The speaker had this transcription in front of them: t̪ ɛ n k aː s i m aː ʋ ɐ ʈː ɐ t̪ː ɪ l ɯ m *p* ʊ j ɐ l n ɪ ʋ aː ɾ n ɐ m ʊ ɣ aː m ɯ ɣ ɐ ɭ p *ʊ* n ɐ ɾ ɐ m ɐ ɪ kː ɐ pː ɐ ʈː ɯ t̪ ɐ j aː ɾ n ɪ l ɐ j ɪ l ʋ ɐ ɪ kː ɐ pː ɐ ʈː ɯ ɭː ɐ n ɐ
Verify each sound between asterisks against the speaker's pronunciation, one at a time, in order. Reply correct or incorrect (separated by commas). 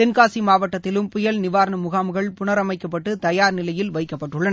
correct, correct